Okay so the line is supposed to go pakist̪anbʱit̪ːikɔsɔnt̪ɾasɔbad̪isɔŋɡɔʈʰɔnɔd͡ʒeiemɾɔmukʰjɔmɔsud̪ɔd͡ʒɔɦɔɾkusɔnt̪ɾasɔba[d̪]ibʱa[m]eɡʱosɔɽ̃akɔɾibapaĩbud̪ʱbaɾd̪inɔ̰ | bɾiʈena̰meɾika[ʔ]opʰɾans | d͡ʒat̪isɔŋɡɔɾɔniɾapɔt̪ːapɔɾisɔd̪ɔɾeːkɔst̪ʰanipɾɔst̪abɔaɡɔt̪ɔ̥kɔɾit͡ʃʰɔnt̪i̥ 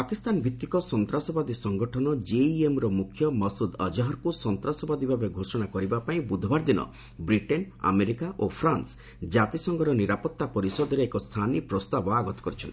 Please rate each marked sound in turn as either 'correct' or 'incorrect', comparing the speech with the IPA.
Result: correct, incorrect: b, correct

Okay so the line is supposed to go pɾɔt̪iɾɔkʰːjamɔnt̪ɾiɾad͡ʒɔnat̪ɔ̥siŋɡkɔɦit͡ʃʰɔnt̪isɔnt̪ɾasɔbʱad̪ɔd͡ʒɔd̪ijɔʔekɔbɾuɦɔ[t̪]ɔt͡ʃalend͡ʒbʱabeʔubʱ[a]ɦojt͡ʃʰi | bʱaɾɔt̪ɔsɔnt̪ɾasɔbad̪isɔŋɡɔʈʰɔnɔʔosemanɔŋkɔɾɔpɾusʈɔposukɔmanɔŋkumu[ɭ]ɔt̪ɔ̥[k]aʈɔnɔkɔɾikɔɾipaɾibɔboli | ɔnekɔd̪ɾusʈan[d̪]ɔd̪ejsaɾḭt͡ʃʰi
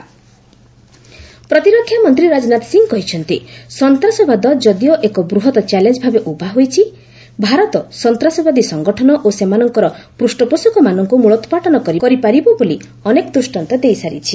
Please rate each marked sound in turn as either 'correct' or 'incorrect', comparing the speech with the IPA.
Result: correct, correct, correct, incorrect: p, incorrect: t̪

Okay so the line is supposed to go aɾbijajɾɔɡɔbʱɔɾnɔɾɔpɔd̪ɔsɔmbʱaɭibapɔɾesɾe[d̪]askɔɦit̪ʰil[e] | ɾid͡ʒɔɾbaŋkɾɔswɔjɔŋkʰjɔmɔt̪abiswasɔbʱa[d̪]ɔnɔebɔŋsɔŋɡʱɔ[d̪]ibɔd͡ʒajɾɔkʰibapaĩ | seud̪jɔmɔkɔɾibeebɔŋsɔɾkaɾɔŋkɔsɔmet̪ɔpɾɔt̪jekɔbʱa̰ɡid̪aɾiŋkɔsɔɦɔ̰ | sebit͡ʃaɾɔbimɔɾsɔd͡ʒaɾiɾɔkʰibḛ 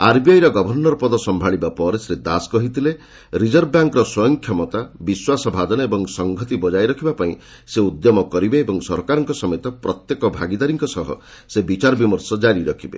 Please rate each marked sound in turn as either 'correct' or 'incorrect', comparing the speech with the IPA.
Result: correct, correct, correct, incorrect: t̪

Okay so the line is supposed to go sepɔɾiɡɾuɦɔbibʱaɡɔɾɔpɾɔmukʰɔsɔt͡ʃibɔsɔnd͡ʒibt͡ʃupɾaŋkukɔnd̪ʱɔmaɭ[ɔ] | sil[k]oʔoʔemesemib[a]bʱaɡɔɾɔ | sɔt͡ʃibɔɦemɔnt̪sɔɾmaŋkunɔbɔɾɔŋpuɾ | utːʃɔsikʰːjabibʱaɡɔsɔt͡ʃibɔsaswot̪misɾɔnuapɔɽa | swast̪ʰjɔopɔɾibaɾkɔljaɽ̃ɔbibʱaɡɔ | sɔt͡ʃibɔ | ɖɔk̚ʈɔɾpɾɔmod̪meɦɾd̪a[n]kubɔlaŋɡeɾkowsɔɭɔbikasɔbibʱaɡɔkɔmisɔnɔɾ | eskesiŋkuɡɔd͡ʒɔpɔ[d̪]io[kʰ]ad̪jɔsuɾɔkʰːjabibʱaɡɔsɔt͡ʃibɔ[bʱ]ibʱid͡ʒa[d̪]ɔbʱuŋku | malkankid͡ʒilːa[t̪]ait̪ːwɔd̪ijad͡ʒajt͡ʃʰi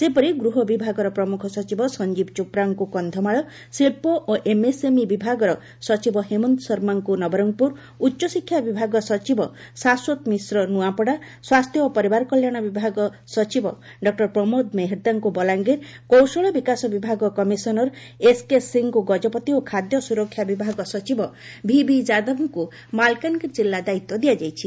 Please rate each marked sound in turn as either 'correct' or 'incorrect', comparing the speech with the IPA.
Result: correct, incorrect: p, incorrect: i, incorrect: ŋ, incorrect: t̪, correct, correct, correct, incorrect: d̪

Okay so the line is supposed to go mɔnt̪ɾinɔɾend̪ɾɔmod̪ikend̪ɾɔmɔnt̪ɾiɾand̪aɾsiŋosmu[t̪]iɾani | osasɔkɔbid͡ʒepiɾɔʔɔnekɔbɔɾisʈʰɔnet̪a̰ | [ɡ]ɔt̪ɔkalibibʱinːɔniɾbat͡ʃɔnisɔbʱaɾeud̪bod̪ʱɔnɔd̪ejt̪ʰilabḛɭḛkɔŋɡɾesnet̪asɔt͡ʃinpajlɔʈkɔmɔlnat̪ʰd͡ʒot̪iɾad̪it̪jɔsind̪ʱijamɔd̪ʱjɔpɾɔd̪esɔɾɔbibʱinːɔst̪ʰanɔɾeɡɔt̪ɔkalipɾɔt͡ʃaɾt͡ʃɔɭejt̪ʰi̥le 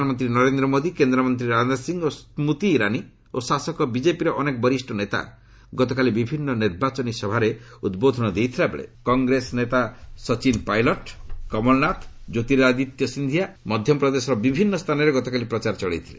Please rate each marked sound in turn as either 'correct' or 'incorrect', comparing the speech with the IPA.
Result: correct, correct

